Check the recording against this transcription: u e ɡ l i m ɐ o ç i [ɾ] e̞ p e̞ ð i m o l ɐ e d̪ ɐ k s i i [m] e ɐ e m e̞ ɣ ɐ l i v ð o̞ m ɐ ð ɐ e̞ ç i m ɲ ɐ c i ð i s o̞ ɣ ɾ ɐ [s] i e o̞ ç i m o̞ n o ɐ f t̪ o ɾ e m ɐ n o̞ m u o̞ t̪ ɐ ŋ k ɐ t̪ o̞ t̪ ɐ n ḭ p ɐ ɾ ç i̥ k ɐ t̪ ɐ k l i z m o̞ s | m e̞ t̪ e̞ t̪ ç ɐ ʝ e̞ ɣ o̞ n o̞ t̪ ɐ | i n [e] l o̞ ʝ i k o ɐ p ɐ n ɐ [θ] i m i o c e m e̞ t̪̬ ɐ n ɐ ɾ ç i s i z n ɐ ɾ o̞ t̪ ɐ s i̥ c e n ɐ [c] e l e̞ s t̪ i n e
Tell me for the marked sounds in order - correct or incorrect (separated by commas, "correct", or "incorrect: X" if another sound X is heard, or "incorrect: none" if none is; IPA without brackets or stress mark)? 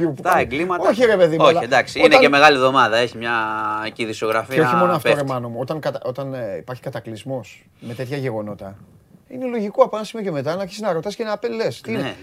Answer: correct, incorrect: n, incorrect: f, correct, incorrect: s, incorrect: p